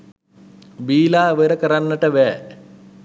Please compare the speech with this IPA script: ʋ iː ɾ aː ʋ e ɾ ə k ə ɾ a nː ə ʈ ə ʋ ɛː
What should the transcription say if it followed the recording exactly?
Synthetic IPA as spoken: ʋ iː l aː ʋ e ɾ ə k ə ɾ a nː ə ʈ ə ʋ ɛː